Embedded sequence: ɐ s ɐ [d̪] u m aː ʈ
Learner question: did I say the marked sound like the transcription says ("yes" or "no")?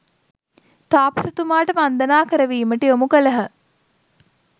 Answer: no